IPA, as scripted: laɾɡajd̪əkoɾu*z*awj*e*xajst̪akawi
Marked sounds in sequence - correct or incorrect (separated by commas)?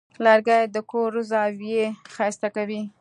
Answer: correct, correct